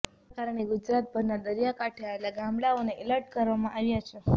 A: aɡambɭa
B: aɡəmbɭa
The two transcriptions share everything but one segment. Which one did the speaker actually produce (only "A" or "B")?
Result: A